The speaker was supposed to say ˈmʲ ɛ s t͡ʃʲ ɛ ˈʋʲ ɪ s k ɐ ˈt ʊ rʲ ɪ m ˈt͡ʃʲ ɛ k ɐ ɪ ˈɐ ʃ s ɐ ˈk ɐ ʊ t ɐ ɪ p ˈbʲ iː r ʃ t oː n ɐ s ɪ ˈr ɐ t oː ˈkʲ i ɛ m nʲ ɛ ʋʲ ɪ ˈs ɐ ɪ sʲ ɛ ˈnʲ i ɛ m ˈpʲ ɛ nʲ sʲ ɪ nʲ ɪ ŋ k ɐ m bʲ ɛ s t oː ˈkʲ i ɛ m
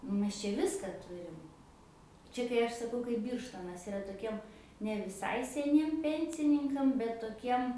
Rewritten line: ˈmʲ ɛ s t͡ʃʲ ɛ ˈʋʲ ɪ s k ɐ ˈt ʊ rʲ ɪ m ˈt͡ʃʲ ɛ k ɐ ɪ ˈɐ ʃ s ɐ ˈk ɐ ʊ k ɐ ɪ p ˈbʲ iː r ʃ t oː n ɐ s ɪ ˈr ɐ t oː ˈkʲ i ɛ m nʲ ɛ ʋʲ ɪ ˈs ɐ ɪ sʲ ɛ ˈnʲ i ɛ m ˈpʲ ɛ nʲ sʲ ɪ nʲ ɪ ŋ k ɐ m bʲ ɛ t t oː ˈkʲ i ɛ m